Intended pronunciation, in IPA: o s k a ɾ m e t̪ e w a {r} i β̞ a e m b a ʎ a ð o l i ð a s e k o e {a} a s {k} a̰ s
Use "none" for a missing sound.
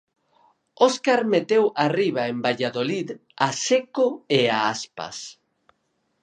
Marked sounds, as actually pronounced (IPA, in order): r, a, p

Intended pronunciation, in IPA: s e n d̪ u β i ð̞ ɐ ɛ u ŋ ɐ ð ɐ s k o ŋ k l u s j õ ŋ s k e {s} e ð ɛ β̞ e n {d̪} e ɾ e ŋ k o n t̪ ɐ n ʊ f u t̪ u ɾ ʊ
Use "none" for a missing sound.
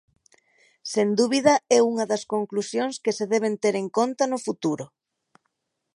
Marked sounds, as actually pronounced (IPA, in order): s, t̪

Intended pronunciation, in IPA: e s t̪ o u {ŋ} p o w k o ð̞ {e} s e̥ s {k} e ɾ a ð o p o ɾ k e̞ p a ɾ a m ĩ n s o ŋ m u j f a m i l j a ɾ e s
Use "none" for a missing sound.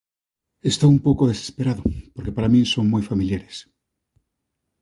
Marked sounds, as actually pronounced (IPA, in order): m, e, p

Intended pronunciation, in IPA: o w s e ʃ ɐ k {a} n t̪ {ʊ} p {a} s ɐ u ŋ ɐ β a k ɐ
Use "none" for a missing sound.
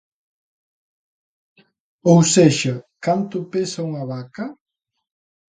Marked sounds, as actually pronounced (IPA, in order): a, ʊ, e

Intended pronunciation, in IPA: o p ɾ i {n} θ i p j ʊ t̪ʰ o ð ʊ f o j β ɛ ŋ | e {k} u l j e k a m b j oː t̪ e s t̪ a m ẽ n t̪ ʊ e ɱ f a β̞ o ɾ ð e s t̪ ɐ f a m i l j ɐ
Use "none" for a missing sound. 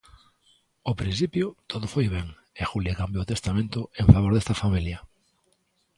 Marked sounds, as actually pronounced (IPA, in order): n, x

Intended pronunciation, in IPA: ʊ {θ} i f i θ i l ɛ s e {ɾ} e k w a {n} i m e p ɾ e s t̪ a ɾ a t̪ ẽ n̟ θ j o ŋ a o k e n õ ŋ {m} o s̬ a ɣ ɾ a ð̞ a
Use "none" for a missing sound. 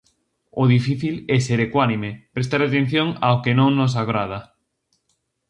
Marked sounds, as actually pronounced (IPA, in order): ð, ɾ, n, n

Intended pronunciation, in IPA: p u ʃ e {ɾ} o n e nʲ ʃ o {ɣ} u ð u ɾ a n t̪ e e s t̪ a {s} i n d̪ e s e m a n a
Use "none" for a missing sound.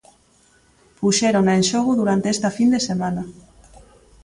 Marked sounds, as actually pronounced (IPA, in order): ɾ, ɣ, f

